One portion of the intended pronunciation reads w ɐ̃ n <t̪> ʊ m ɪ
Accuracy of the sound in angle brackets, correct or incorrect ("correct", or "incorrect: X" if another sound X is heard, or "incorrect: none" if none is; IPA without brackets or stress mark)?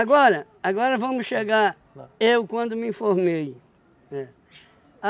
incorrect: d̪